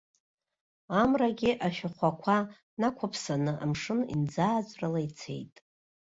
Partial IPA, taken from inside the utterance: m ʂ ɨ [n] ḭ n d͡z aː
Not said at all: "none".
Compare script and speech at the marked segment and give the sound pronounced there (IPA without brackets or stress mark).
n